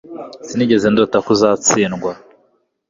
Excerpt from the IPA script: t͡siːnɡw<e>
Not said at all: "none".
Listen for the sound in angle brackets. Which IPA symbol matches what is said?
a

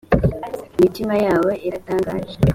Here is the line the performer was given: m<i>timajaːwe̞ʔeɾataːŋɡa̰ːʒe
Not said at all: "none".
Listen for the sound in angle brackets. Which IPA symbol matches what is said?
i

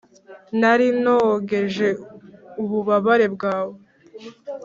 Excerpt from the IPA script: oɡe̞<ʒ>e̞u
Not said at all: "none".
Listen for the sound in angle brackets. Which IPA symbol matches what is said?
ʒ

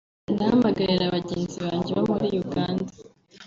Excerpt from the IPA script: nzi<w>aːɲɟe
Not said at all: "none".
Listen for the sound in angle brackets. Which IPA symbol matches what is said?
β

